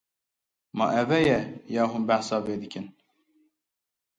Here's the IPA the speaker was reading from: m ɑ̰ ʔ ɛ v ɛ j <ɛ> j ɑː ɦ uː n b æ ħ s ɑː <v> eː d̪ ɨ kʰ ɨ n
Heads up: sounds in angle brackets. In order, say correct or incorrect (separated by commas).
correct, correct